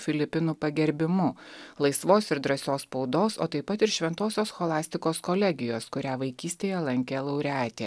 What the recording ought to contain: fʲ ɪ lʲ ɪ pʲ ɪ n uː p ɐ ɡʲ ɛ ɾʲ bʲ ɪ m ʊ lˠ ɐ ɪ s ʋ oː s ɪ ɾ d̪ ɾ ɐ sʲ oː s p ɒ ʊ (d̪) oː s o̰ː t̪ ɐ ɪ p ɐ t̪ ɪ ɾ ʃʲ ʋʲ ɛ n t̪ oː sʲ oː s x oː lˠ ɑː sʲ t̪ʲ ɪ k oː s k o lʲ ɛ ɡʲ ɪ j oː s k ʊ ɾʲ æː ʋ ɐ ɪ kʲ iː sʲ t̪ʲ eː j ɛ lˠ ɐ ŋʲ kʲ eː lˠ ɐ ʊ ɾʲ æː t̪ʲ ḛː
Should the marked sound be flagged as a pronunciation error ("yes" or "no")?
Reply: no